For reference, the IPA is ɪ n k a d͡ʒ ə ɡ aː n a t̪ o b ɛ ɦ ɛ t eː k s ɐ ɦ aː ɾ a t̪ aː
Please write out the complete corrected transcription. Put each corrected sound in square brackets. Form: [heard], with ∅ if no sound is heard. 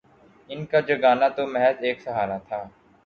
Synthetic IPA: ɪ n k a d͡ʒ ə ɡ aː n a t̪ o [m] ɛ ɦ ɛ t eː k s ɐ ɦ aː ɾ a [t̪ʰ] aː